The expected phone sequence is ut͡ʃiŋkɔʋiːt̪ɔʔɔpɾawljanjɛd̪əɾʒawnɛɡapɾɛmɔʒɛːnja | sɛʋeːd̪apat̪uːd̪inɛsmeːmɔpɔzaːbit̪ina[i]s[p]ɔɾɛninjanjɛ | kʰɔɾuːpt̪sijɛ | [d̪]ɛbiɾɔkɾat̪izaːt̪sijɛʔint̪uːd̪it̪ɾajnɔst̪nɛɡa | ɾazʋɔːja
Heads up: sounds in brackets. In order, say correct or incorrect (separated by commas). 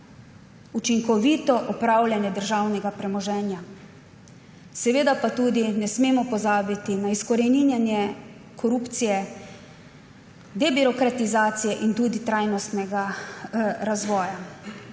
correct, incorrect, correct